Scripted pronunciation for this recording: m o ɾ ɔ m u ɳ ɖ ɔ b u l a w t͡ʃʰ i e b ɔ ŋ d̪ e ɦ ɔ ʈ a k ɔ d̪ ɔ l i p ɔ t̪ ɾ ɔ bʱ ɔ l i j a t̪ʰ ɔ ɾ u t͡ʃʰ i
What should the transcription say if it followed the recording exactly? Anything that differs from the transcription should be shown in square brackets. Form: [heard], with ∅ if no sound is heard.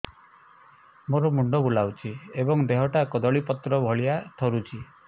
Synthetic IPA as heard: m o ɾ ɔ m u ɳ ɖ ɔ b u l a w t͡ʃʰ i e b ɔ ŋ d̪ e ɦ ɔ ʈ a k ɔ d̪ ɔ [ɭ] i p ɔ t̪ ɾ ɔ bʱ ɔ [ɭ] i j a t̪ʰ ɔ ɾ u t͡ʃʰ i